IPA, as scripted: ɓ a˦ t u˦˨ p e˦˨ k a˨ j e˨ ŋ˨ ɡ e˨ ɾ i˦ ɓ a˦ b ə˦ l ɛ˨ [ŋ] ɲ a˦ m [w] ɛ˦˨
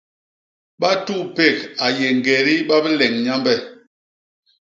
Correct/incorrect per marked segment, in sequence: correct, incorrect: b

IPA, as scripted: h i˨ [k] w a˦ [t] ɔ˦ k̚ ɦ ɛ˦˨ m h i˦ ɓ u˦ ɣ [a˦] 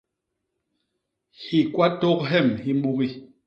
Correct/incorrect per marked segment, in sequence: correct, correct, incorrect: i˦

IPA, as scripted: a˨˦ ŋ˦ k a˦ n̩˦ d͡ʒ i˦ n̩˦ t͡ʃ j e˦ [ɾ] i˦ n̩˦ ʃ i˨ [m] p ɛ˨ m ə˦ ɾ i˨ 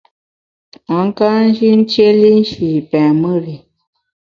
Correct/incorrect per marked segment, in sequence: incorrect: l, incorrect: none

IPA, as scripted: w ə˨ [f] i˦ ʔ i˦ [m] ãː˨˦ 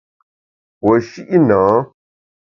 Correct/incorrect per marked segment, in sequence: incorrect: ʃ, incorrect: n

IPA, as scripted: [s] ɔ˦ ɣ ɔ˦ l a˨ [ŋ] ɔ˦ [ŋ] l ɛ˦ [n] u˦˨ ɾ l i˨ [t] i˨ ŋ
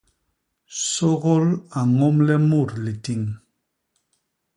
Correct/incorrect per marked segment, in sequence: correct, correct, incorrect: m, incorrect: m, correct

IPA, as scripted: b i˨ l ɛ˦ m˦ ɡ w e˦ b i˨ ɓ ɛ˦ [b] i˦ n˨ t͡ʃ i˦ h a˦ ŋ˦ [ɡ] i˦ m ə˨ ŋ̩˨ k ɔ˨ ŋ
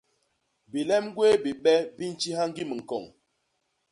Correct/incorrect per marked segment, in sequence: correct, correct

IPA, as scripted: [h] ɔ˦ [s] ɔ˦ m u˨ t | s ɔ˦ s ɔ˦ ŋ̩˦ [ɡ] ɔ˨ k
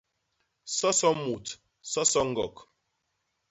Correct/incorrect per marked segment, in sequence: incorrect: s, correct, correct

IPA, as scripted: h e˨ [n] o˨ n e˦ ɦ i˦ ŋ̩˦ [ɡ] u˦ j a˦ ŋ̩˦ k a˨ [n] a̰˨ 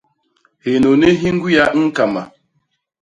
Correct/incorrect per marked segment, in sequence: correct, correct, incorrect: m

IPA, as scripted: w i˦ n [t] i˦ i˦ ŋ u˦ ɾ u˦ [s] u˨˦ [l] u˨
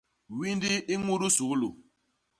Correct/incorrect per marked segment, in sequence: incorrect: d, correct, correct

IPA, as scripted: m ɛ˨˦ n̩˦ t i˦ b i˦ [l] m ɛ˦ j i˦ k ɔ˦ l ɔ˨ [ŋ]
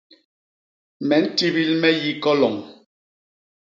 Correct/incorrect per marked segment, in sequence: correct, correct

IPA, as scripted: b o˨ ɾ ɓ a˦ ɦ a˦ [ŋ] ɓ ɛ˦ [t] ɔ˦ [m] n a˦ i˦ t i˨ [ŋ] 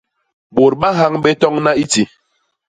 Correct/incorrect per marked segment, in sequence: correct, correct, incorrect: ŋ, incorrect: none

